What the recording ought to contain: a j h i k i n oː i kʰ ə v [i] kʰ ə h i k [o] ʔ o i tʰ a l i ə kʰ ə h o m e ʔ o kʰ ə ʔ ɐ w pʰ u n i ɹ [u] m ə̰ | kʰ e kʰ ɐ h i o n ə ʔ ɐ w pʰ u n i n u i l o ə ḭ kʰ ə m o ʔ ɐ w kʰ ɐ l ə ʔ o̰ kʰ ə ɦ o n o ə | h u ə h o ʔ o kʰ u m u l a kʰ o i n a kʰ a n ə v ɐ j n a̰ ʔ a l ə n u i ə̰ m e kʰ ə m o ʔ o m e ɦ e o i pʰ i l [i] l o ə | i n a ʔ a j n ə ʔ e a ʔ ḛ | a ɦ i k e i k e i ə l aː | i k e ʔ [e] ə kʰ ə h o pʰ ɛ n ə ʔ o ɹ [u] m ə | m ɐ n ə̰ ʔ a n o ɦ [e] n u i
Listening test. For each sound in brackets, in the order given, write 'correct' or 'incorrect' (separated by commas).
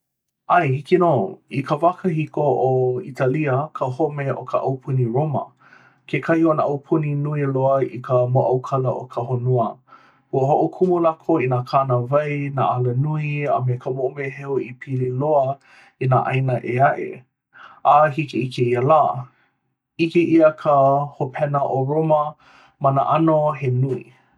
incorrect, correct, incorrect, correct, incorrect, incorrect, correct